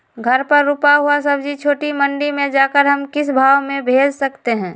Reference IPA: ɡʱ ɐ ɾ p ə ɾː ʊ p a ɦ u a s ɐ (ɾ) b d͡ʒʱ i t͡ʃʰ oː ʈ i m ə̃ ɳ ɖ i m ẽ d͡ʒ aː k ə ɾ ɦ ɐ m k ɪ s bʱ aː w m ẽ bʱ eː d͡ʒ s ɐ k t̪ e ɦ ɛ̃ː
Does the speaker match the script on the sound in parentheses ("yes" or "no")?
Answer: no